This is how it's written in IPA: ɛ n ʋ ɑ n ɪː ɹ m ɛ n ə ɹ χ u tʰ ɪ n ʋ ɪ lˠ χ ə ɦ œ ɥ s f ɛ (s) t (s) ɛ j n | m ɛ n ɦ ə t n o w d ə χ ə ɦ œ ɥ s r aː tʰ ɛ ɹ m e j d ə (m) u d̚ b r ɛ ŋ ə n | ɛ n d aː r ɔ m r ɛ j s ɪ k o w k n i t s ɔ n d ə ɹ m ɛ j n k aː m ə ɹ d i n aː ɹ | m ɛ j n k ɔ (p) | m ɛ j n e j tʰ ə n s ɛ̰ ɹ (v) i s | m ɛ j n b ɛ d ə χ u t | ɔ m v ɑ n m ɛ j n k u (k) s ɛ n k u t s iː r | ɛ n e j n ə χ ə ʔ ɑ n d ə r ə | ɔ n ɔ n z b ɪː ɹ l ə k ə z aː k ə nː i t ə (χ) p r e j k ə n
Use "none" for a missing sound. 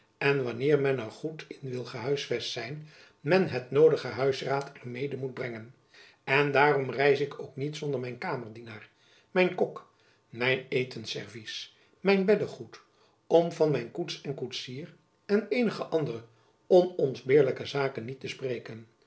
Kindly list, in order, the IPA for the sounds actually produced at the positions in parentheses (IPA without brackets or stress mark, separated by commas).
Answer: s, s, m, k, v, t, s